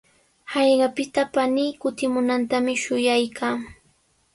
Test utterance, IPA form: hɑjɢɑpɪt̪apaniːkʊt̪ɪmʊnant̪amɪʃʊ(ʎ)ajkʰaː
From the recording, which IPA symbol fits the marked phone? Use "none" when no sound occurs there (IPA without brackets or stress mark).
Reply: j